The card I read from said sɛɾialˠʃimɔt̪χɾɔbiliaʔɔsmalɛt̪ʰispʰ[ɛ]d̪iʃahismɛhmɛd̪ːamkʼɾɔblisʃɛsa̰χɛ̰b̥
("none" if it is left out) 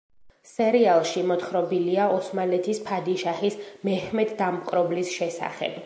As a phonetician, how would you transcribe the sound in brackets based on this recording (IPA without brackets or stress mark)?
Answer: a